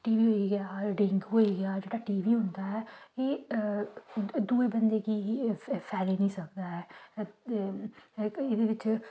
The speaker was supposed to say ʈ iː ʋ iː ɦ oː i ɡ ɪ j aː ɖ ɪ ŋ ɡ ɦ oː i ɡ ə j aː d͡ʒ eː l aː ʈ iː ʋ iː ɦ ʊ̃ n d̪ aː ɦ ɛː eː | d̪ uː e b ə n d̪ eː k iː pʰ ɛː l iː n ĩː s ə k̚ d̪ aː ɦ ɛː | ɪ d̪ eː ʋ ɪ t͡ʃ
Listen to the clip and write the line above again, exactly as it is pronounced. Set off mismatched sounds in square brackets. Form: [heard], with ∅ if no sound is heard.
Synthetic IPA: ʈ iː ʋ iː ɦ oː i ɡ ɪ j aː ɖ ɪ ŋ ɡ ɦ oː i ɡ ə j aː d͡ʒ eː [ɽ] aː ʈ iː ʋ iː ɦ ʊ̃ n d̪ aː ɦ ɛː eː | d̪ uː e b ə n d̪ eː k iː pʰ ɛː l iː n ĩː s ə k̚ d̪ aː ɦ ɛː | ɪ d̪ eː ʋ ɪ t͡ʃ